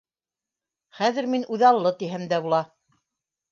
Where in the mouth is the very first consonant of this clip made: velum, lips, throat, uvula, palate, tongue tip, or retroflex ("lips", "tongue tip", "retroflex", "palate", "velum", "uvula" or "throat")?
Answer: uvula